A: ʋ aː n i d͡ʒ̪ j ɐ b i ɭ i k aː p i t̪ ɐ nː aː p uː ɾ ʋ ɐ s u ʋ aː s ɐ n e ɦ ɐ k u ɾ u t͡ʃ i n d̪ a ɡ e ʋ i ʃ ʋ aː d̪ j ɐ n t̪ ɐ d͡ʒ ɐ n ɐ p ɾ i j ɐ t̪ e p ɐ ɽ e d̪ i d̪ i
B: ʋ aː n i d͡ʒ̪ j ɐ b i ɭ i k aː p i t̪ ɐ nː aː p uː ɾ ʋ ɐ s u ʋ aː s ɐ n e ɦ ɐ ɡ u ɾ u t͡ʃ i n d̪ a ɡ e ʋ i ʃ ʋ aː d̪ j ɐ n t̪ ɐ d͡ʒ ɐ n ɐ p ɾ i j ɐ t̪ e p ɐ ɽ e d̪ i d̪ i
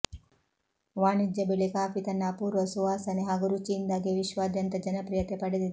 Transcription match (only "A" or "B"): B